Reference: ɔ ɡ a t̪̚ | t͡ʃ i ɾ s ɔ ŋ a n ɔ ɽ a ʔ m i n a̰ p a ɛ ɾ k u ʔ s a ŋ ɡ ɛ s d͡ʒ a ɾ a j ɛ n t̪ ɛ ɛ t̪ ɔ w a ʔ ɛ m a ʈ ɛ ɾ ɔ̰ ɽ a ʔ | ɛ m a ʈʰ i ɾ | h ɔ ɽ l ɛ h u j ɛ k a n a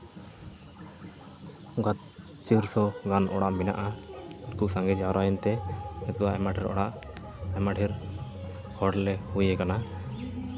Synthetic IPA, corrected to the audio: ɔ ɡ a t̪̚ | t͡ʃ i ɾ s ɔ ɡ a n ɔ ɽ a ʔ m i n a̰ ʔ a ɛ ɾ k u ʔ s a ŋ ɡ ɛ d͡ʒ a ɾ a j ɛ n t̪ ɛ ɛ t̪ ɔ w a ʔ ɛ m a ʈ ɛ ɾ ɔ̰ ɽ a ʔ | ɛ m a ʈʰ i ɾ | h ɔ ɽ l ɛ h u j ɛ k a n a